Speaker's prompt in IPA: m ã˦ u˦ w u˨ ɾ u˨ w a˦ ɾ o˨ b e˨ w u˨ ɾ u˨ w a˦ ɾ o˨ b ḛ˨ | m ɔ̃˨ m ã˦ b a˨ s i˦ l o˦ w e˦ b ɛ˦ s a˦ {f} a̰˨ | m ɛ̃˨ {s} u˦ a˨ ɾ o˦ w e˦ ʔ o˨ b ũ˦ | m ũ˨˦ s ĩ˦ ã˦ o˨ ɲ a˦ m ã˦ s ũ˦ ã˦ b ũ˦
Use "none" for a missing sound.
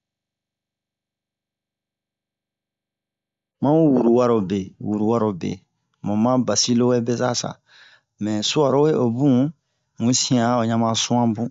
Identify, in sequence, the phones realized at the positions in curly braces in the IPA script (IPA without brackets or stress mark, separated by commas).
s, s